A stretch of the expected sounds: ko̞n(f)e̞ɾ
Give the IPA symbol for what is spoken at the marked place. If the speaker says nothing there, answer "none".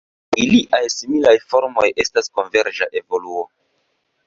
v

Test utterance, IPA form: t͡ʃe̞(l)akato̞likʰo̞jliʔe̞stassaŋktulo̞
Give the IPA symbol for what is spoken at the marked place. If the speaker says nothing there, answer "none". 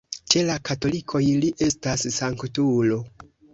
l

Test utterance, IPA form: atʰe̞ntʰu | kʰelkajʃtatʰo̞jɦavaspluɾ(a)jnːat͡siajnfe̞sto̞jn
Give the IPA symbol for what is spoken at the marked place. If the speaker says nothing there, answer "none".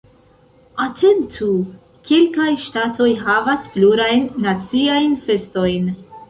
a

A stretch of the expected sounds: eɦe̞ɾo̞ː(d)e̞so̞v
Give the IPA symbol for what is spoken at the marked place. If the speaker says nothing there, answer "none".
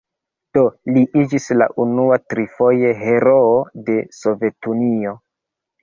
d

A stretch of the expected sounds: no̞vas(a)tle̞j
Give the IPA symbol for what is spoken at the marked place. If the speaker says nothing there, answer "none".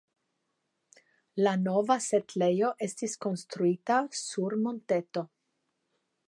e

